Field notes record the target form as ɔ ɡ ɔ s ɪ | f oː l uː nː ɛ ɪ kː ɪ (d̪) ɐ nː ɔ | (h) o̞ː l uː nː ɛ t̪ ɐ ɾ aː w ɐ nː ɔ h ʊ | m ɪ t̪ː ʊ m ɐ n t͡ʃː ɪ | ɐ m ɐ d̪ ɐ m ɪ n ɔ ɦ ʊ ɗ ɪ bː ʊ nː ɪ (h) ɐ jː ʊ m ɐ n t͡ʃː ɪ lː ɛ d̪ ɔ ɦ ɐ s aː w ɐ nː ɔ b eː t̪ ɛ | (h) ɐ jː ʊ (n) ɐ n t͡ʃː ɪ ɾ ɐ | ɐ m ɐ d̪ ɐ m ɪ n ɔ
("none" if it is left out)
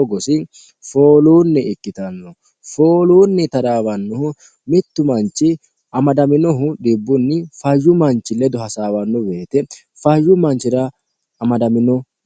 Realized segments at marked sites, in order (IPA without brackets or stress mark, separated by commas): t̪, f, f, f, m